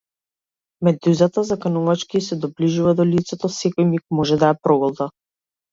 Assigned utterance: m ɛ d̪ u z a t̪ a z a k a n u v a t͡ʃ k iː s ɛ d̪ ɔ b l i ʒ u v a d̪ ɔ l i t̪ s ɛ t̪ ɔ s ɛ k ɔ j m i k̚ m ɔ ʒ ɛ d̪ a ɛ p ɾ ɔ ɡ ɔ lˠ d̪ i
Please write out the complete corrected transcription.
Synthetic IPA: m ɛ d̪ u z a t̪ a z a k a n u v a t͡ʃ k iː s ɛ d̪ ɔ b l i ʒ u v a d̪ ɔ l i t̪ s ɛ t̪ ɔ s ɛ k ɔ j m i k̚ m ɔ ʒ ɛ d̪ a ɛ p ɾ ɔ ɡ ɔ lˠ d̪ a